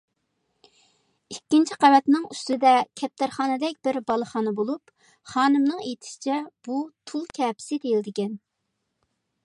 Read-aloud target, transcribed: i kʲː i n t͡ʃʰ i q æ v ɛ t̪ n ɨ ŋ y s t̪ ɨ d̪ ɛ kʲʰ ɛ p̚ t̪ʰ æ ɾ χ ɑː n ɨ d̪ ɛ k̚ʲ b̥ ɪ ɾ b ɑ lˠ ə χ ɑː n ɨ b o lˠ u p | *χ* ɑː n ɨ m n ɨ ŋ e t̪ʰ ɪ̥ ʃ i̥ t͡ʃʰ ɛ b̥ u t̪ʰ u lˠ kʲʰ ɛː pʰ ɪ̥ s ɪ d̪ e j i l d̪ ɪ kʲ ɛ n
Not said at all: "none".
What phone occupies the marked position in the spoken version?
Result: χ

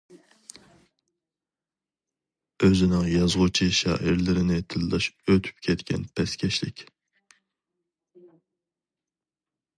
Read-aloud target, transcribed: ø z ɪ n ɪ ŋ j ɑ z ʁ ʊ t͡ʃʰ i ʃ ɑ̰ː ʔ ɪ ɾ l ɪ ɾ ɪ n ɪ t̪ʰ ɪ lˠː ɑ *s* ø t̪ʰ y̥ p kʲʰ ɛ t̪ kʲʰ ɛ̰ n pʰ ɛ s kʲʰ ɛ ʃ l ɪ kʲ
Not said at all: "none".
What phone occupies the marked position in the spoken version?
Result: ʃ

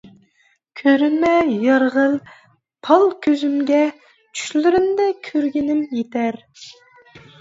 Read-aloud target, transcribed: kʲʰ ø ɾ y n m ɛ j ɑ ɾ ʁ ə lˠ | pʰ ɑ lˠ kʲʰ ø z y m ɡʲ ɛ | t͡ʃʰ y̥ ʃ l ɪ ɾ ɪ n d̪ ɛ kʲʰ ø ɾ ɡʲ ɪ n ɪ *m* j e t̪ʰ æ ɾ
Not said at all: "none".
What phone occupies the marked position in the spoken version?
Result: m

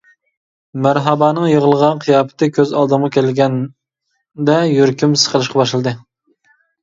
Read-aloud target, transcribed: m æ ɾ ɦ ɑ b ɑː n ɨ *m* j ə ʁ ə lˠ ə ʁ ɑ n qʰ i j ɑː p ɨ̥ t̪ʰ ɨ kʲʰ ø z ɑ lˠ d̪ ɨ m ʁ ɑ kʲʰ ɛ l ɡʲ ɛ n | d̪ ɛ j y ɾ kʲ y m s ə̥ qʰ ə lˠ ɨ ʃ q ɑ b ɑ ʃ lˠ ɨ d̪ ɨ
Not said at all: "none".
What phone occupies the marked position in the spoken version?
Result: ŋ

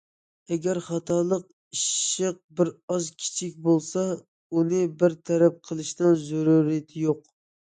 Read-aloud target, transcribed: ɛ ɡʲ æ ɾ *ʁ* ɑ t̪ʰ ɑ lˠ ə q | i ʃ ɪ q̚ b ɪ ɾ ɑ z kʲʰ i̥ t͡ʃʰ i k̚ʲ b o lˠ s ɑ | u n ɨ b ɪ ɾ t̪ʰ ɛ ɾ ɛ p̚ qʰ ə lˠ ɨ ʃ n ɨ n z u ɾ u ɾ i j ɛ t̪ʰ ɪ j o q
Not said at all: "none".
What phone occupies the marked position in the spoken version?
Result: χ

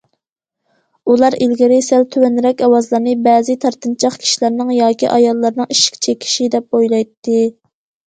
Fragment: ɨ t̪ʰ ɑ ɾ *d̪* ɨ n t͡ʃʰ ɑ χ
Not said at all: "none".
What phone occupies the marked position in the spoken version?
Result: t̪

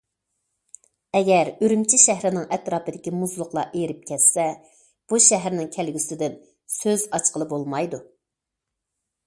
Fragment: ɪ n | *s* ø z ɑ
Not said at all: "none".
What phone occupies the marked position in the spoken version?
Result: s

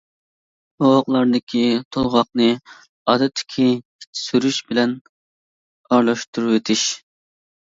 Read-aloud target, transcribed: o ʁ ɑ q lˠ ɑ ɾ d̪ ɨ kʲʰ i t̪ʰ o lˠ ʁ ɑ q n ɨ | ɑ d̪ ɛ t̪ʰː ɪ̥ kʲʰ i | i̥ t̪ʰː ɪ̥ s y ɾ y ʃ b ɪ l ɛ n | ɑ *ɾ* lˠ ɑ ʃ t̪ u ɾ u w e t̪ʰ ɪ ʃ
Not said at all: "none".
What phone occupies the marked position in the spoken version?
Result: ɾ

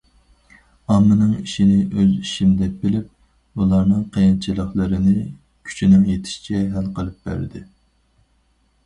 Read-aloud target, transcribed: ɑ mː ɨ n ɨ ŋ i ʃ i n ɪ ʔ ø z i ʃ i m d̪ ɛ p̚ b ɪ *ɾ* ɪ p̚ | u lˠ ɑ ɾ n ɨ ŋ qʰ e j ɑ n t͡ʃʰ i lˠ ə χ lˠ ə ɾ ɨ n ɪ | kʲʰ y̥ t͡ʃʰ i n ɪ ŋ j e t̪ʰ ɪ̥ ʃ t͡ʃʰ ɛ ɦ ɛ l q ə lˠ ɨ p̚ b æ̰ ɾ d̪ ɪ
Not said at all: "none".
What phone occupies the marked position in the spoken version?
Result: l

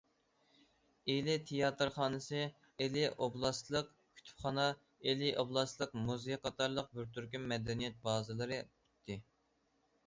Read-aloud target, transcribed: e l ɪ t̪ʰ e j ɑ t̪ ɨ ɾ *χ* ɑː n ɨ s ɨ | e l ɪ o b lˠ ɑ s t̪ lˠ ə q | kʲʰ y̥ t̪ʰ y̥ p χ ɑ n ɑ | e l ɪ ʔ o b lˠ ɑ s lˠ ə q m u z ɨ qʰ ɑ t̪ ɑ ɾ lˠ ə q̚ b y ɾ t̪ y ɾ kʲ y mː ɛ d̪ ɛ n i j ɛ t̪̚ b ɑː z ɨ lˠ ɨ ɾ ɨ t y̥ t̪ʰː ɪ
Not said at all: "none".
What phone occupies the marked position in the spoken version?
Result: χ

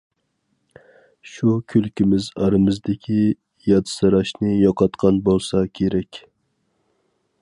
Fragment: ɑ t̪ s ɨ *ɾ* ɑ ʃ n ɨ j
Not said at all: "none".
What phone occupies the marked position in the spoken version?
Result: ɾ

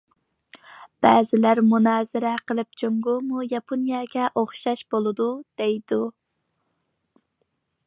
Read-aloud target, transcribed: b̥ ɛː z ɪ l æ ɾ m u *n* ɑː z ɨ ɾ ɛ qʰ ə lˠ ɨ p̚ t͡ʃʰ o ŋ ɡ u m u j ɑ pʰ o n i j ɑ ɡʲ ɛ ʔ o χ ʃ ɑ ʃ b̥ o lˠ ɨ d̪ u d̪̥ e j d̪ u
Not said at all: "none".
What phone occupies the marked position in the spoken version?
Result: n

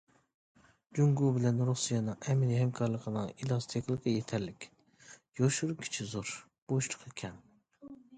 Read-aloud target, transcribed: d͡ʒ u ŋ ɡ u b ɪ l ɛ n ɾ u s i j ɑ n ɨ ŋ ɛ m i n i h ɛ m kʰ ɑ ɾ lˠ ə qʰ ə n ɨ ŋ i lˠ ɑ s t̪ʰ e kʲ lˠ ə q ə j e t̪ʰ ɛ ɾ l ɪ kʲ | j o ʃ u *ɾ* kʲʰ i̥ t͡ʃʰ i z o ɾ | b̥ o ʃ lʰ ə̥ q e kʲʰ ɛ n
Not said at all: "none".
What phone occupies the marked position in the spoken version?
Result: ɾ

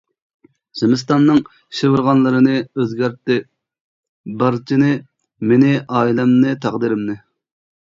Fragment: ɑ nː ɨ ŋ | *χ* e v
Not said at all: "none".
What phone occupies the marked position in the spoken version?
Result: ʃ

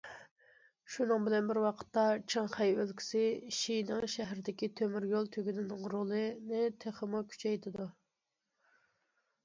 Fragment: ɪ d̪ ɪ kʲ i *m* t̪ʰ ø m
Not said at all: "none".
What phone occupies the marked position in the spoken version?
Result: none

